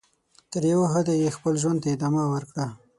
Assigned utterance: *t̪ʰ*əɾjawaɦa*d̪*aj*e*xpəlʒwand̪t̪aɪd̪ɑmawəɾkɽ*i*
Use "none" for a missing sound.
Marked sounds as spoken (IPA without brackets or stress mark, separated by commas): t̪, d̪, e, a